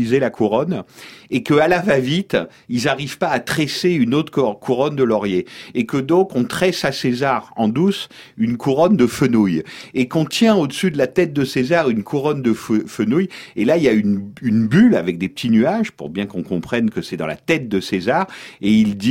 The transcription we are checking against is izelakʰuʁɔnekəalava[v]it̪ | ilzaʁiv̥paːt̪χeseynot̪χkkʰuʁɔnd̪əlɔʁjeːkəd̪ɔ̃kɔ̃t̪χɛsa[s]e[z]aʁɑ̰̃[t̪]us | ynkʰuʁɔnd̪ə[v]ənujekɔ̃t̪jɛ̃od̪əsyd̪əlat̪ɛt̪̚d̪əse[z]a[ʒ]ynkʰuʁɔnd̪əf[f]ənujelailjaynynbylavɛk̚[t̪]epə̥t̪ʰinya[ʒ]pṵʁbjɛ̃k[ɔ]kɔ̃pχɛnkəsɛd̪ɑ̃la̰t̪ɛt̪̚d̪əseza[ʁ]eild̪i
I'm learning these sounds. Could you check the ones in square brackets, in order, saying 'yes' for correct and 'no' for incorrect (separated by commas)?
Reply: yes, yes, yes, no, no, yes, no, yes, no, yes, no, yes